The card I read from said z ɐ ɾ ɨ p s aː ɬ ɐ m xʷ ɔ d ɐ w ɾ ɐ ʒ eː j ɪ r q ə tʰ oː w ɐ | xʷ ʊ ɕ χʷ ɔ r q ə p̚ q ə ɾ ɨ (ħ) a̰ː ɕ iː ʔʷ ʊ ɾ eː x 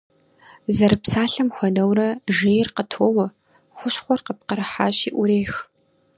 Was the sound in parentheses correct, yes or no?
yes